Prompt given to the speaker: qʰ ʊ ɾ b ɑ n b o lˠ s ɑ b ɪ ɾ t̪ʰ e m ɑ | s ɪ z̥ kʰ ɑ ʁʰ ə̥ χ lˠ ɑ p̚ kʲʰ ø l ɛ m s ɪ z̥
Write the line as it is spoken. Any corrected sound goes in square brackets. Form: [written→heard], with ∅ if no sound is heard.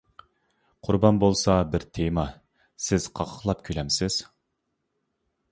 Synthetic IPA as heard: qʰ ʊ ɾ b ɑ n b o lˠ s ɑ b ɪ ɾ t̪ʰ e m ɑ | s ɪ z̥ [kʰ→qʰ] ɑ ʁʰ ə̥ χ lˠ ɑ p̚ kʲʰ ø l ɛ m s ɪ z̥

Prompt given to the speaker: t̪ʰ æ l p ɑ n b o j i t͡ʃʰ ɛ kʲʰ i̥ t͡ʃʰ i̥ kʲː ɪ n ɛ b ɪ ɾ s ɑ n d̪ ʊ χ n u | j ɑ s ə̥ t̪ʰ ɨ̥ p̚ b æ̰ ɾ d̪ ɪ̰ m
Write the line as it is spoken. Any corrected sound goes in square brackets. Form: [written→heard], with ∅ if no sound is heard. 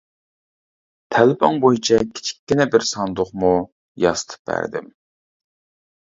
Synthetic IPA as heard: t̪ʰ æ l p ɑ [n→ŋ] b o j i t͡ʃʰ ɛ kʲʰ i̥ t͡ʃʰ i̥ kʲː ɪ n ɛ b ɪ ɾ s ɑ n d̪ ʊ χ [n→m] u | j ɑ s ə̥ t̪ʰ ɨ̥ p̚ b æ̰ ɾ d̪ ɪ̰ m

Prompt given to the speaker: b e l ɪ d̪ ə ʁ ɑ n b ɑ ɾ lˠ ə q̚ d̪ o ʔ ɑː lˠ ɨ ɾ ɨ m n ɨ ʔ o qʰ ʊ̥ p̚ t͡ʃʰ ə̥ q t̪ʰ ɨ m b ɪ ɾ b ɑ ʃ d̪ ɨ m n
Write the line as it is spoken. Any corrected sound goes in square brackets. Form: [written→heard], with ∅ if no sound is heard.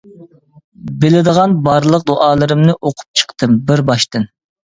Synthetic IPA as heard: b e l ɪ d̪ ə ʁ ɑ n b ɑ ɾ lˠ ə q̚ d̪ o ʔ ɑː lˠ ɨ ɾ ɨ m n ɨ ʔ o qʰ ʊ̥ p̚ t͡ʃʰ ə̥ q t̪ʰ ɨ m b ɪ ɾ b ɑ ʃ [d̪→t̪] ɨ [m→∅] n

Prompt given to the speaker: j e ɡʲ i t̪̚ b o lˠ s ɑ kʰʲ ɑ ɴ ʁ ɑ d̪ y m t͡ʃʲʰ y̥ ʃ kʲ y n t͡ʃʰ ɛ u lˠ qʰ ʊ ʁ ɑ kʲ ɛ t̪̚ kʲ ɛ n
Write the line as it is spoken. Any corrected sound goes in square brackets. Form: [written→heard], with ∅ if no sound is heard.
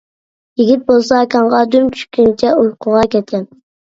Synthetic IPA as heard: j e ɡʲ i t̪̚ b o lˠ s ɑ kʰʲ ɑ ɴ ʁ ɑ d̪ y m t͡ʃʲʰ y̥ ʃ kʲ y n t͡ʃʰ ɛ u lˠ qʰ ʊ ʁ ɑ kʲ ɛ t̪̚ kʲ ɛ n

